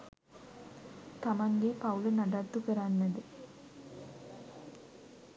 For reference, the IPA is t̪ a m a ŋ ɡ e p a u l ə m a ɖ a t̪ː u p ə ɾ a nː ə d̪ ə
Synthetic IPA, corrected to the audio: t̪ a m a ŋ ɡ e p a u l ə n a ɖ a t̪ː u k ə ɾ a nː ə d̪ ə